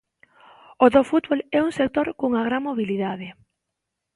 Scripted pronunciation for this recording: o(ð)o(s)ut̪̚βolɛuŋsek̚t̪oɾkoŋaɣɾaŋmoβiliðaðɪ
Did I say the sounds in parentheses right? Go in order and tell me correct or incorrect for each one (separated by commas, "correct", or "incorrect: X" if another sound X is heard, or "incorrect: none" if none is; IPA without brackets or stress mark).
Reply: correct, incorrect: f